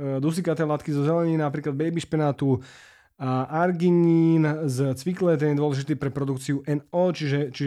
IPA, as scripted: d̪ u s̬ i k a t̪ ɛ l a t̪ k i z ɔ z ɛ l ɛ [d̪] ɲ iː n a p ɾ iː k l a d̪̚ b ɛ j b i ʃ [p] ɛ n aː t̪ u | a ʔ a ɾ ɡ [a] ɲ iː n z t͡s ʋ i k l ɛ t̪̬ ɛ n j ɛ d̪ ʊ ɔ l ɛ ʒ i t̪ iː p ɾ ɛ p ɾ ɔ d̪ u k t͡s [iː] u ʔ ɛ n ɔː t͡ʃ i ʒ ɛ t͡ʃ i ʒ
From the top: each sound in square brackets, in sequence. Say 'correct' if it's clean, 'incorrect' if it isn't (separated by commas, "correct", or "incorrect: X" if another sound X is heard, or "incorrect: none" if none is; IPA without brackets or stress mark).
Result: incorrect: none, correct, incorrect: i, incorrect: i